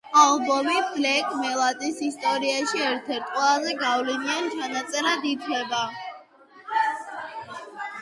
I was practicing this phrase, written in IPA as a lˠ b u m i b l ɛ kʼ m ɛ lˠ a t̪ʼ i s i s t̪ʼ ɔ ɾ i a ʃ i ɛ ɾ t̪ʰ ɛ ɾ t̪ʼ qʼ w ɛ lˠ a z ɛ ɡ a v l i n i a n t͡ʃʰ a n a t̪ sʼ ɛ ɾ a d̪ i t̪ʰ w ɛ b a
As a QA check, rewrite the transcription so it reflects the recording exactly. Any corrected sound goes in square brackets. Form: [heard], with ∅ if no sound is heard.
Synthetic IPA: a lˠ b [ɔ] m i b l ɛ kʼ m ɛ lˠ a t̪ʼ i s i s t̪ʼ ɔ ɾ i a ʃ i ɛ ɾ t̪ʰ ɛ ɾ t̪ʼ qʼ w ɛ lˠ a z ɛ ɡ a v l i n i a n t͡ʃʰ a n a t̪ sʼ ɛ ɾ a d̪ i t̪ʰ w ɛ b a